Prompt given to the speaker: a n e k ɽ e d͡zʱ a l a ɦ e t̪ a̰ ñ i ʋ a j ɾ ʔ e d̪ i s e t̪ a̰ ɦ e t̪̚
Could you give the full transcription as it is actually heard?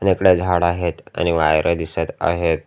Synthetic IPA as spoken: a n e k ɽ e d͡zʱ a ɽ a ɦ e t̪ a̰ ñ i ʋ a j ɾ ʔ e d̪ i s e t̪ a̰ ɦ e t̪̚